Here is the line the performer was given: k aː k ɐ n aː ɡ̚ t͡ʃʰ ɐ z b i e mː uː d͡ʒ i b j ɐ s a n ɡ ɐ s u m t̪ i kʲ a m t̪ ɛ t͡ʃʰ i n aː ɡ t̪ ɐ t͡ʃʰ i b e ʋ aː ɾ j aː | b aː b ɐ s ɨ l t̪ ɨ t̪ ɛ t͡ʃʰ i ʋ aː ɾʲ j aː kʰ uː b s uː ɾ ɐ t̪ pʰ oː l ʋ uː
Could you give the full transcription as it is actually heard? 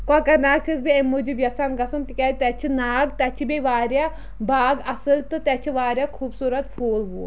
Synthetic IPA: k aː k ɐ n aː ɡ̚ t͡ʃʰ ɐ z b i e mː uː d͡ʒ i b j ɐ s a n ɡ ɐ s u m t̪ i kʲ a t̪ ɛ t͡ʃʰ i n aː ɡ t̪ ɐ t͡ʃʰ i b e ʋ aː ɾ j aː | b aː ɡ ɐ s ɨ l t̪ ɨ t̪ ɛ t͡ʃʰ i ʋ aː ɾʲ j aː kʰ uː b s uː ɾ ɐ t̪ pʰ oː l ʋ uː